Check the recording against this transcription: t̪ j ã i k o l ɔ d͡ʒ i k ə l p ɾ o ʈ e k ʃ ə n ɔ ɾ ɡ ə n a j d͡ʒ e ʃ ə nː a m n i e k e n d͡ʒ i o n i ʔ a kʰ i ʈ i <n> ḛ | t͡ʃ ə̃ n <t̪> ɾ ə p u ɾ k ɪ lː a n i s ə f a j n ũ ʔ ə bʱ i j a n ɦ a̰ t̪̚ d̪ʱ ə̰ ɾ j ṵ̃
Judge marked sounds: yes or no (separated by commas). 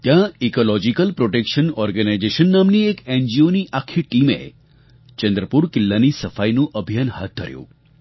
no, no